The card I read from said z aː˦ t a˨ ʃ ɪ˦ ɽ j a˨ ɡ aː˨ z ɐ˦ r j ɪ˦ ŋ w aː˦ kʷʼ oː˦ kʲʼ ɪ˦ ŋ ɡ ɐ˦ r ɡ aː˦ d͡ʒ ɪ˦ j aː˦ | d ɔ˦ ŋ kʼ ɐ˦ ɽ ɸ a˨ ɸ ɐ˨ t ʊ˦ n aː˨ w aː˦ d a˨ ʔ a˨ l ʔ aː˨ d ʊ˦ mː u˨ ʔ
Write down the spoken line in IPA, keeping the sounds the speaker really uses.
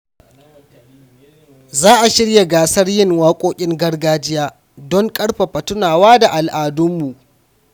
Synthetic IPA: z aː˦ ʔ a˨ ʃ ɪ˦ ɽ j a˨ ɡ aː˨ s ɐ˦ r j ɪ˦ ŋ w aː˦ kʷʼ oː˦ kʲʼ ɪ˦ ŋ ɡ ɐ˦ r ɡ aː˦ d͡ʒ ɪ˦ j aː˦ | d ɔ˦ ŋ kʼ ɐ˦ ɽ ɸ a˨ ɸ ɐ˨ t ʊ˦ n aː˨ w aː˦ d a˨ ʔ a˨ l ʔ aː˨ d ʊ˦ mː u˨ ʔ